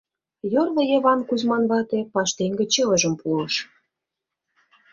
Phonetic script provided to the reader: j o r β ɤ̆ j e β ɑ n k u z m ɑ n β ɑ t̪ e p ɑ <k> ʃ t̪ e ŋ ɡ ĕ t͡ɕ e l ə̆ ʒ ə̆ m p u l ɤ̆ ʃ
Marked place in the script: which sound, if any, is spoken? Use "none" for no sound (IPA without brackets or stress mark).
none